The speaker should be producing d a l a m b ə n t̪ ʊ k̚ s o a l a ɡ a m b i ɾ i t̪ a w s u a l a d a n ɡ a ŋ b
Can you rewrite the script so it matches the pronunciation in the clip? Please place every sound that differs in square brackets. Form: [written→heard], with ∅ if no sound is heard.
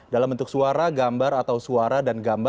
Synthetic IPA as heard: d a l a m b ə n t̪ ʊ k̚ s [o→u] a [l→ɾ] a ɡ a m b [i→a] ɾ [i→a] t̪ a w s u a [l→ɾ] a d a n ɡ a [ŋ→m] b